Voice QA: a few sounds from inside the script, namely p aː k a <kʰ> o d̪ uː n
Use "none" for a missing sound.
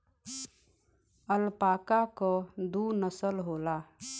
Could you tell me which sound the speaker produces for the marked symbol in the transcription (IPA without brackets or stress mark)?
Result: k